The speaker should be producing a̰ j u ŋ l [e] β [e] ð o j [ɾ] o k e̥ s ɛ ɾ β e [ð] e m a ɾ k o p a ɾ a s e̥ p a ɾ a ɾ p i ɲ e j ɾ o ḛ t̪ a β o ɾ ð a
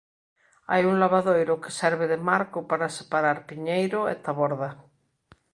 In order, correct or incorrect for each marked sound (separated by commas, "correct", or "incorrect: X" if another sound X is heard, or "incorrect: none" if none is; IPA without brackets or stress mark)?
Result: incorrect: a, incorrect: a, correct, correct